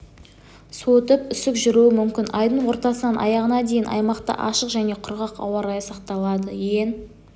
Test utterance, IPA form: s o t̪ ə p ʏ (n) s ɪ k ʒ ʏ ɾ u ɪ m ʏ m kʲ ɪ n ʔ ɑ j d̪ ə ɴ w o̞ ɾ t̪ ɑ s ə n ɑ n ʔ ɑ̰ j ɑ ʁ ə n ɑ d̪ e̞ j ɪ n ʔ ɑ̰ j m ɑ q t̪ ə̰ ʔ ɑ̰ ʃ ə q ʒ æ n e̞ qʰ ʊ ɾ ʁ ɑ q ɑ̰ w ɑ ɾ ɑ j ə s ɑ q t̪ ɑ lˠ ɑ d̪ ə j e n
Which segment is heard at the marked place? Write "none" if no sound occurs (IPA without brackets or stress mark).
none